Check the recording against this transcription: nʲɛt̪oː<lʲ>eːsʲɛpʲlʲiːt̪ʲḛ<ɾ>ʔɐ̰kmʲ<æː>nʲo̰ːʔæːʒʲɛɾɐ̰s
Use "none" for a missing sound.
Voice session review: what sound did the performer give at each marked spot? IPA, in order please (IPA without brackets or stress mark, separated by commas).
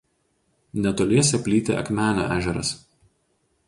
lʲ, none, æː